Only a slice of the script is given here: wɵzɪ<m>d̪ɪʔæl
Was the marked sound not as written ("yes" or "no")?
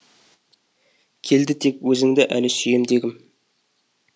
yes